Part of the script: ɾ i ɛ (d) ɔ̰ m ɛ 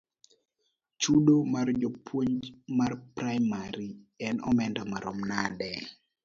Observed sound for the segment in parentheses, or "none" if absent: n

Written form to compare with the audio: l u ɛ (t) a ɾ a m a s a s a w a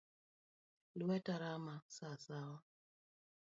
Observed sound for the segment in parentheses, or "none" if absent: t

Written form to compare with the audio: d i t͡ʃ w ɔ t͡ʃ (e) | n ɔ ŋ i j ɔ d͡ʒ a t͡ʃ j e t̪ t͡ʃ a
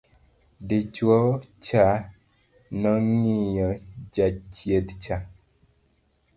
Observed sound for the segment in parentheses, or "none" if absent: a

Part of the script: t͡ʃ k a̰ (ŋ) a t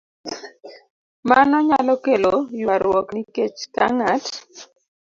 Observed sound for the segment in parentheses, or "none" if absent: ŋ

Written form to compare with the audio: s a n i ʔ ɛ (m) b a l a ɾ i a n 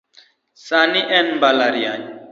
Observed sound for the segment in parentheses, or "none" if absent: n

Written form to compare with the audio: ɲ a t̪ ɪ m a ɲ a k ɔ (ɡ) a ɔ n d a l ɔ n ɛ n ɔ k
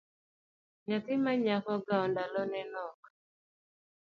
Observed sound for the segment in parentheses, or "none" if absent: ɡ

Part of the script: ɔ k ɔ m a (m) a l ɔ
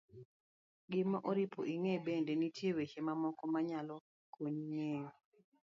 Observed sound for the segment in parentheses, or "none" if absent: ɲ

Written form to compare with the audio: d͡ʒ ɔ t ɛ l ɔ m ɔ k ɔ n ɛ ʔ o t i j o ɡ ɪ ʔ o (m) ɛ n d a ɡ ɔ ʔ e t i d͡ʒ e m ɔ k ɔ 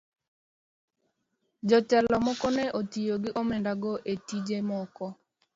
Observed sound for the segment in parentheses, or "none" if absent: m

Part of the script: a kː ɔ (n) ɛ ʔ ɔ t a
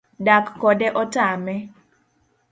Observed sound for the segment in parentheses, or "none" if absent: d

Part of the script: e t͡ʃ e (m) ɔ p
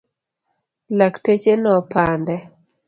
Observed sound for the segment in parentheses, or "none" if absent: n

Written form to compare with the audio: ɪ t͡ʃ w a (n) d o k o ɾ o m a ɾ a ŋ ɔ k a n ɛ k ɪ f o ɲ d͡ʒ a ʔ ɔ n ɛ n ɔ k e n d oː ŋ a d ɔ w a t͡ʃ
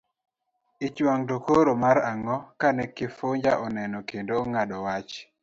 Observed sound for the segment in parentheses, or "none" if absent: ŋ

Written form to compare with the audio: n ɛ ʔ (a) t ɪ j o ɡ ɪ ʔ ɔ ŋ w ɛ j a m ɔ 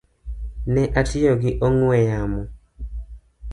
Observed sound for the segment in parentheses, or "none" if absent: a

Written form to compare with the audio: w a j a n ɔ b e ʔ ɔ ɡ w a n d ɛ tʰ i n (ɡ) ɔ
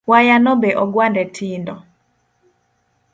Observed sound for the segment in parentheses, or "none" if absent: d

